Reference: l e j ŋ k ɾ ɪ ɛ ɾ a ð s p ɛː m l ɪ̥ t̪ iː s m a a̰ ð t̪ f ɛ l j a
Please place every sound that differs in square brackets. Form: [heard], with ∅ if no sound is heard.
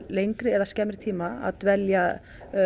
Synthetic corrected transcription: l e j ŋ k ɾ ɪ ɛ ɾ a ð s [c] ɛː m [ɾ] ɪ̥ [t̪ʰ] iː [∅] m a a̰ ð t̪ [v] ɛ l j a

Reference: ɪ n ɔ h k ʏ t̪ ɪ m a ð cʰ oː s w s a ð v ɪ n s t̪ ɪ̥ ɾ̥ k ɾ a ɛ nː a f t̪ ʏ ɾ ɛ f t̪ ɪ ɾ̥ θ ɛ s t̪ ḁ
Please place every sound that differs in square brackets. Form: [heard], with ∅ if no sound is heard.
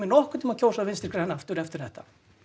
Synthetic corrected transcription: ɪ n ɔ h k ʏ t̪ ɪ m a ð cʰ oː [∅] w s a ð v ɪ n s t̪ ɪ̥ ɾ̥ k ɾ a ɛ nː a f t̪ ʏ ɾ ɛ f t̪ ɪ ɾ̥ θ ɛ [h] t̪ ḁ

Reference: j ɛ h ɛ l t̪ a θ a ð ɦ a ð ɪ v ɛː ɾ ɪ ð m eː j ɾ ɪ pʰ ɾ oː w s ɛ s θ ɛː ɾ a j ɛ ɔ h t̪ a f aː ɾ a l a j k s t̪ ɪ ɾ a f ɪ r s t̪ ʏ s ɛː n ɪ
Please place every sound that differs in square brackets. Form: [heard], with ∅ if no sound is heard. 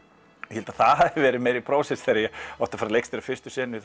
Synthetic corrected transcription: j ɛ h ɛ l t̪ a θ a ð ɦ a ð ɪ v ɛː ɾ ɪ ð m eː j ɾ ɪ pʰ ɾ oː w s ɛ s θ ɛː ɾ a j ɛ ɔ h t̪ a f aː ɾ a l [e] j k s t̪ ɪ ɾ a f ɪ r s t̪ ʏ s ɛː n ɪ

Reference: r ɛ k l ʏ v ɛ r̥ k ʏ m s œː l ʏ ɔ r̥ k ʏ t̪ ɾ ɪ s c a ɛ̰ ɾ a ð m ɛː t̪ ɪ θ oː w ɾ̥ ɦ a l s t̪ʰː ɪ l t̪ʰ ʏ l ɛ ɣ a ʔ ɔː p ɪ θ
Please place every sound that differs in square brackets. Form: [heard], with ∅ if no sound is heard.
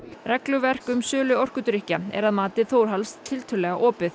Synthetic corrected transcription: r ɛ k l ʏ v ɛ r̥ k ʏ m s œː l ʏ ɔ r̥ k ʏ t̪ ɾ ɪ [h] c a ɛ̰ ɾ a ð m [aː] t̪ ɪ θ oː w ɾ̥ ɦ a l s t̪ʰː ɪ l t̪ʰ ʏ l ɛ ɣ a ʔ ɔː p ɪ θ

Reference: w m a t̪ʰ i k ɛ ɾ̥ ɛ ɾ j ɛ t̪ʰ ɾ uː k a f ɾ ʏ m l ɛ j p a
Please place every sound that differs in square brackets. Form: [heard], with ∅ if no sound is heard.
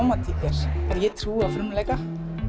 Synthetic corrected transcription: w m a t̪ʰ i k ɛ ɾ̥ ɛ ɾ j ɛ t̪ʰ ɾ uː [∅] a f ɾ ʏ m l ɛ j [k] a

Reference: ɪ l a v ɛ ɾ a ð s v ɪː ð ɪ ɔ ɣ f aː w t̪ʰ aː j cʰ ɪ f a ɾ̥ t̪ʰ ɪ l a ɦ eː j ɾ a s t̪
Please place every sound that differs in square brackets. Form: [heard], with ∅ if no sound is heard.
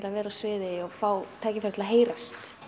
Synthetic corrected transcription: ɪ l a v [ɛː] ɾ a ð s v ɪː ð ɪ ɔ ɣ f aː w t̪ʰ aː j [c] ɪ f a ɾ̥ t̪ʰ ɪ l a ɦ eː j ɾ a s t̪

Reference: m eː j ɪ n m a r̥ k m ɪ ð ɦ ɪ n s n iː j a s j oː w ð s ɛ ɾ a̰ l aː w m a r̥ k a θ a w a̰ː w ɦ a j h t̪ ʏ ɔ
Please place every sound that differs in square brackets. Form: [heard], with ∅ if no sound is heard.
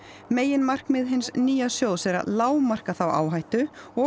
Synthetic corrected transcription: m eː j ɪ n m a r̥ k m ɪ ð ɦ ɪ n s n iː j a s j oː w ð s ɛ ɾ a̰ l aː w m a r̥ k a θ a w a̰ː w ɦ a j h t̪ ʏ ɔ

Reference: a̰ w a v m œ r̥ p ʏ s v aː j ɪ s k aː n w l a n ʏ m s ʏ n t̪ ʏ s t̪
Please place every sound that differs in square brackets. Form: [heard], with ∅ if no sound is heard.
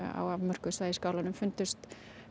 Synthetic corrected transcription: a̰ w a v m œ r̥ [k] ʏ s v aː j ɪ s k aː [∅] w l a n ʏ m [f] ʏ n t̪ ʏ s t̪

